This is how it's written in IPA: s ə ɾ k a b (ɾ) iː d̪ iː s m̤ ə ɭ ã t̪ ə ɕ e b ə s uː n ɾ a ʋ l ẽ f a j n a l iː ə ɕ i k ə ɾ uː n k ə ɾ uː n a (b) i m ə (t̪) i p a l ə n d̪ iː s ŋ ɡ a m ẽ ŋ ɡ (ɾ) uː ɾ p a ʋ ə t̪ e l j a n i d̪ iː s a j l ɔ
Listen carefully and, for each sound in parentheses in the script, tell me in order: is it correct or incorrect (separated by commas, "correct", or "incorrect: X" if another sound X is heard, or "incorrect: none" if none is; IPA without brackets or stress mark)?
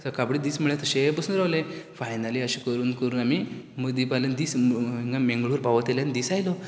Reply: incorrect: ɽ, incorrect: m, incorrect: d̪, incorrect: ɭ